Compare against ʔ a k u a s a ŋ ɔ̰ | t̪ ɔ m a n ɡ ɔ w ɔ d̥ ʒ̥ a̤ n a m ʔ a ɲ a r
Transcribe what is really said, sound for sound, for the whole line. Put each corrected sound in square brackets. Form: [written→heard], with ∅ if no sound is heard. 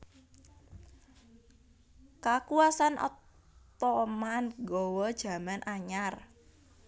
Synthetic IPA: [ʔ→k] a k u a s a [ŋ→n] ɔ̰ | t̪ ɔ m a n ɡ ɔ w ɔ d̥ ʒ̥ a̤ [n→m] a [m→n] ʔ a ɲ a r